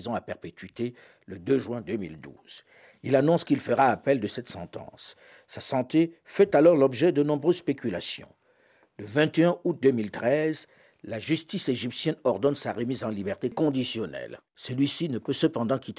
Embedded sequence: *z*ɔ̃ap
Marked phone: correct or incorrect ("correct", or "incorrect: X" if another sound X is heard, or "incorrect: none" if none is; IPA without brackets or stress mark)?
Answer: correct